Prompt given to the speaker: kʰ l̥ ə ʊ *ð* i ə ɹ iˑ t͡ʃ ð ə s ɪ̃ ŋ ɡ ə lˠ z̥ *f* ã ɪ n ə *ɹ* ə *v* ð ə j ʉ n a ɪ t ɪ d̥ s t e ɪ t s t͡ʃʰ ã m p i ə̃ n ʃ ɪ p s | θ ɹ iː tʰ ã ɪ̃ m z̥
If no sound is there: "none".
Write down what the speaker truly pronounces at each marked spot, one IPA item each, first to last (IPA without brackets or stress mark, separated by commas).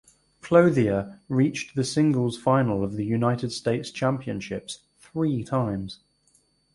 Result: ð, f, l, v